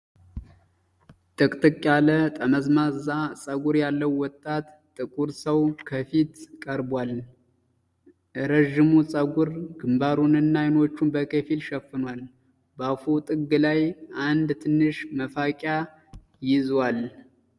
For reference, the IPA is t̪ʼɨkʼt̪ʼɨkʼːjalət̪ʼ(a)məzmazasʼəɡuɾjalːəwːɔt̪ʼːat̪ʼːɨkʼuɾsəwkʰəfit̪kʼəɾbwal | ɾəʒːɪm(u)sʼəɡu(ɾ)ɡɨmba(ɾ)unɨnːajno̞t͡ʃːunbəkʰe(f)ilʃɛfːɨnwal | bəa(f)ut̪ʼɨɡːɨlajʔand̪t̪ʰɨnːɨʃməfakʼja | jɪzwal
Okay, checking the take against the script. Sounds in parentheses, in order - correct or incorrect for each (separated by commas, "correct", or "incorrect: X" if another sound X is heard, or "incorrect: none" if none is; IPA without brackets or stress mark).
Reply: incorrect: ə, correct, correct, correct, correct, correct